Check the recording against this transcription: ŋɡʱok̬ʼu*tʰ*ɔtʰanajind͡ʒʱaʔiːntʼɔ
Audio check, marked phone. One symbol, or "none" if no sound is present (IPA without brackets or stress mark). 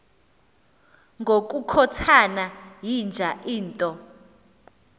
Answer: kʰ